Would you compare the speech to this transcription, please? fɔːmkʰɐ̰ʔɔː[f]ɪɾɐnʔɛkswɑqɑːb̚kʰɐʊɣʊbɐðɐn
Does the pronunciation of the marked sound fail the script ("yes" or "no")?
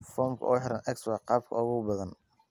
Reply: yes